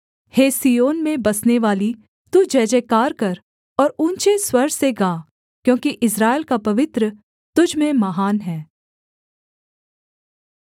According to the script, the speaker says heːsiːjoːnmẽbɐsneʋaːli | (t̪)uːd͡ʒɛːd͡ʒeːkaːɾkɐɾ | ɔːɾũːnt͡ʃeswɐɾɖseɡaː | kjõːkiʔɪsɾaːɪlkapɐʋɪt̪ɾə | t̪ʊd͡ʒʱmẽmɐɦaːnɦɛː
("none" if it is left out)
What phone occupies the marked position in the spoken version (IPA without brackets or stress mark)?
t̪